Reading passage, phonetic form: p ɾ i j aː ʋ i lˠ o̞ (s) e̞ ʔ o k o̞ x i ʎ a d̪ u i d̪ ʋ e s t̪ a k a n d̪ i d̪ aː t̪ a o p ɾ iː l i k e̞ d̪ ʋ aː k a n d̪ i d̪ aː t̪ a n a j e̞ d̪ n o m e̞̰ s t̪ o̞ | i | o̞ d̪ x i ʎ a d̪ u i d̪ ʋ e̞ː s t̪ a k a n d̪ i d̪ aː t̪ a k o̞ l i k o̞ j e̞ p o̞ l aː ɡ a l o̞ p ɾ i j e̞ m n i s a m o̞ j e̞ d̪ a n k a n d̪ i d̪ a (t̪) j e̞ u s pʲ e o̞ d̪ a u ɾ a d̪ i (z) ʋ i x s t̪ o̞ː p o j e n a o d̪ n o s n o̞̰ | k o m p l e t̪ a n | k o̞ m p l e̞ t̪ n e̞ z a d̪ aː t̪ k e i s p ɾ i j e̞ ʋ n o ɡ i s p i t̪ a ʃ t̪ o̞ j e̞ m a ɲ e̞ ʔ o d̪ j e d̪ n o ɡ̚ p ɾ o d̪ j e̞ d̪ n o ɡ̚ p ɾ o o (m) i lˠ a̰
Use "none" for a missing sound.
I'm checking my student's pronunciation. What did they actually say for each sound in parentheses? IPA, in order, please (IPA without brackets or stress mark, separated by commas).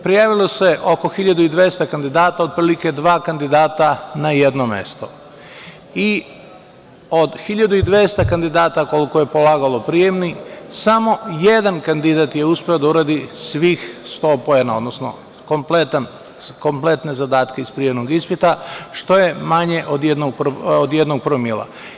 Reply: s, t̪, s, m